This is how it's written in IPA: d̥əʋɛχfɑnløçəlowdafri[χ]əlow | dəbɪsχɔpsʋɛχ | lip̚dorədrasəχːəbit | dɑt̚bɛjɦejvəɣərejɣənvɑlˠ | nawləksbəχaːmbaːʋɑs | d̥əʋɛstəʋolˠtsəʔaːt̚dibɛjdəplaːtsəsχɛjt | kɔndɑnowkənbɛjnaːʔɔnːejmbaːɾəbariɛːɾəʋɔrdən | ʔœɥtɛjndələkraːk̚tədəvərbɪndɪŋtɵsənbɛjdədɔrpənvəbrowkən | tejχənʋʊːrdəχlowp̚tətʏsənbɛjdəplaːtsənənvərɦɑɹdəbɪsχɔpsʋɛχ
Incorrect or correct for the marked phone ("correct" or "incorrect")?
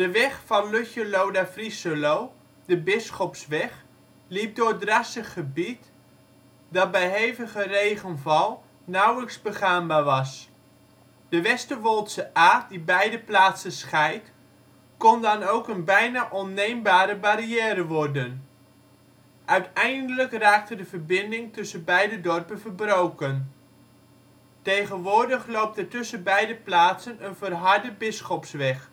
incorrect